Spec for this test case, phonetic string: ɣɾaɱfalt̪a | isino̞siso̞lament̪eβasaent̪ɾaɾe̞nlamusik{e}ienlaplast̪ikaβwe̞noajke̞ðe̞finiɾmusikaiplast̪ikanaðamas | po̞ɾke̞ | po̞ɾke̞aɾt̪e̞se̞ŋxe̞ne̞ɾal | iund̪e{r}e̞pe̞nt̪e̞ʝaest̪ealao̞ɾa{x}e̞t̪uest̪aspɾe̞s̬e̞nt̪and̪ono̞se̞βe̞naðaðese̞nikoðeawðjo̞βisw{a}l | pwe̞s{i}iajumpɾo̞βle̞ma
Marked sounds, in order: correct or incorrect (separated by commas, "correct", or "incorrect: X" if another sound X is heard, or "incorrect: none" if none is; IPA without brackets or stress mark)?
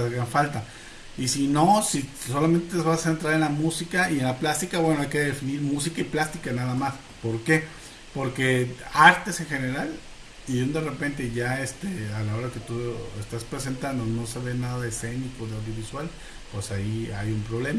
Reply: incorrect: a, correct, incorrect: k, correct, incorrect: a